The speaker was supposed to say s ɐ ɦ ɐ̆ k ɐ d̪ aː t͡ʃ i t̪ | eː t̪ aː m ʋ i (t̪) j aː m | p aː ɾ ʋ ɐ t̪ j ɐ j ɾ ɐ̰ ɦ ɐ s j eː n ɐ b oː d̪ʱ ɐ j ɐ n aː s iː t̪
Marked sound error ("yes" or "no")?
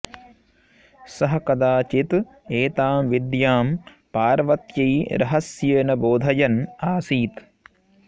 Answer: yes